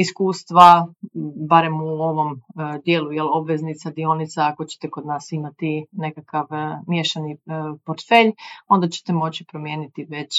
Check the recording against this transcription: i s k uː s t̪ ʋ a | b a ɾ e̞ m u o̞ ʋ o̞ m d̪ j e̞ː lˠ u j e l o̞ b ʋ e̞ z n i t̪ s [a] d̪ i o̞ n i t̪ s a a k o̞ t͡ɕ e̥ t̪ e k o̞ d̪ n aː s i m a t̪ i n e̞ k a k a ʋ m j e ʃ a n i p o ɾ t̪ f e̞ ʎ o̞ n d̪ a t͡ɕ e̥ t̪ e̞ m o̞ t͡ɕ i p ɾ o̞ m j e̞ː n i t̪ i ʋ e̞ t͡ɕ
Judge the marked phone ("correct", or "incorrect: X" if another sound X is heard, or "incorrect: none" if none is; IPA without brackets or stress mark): correct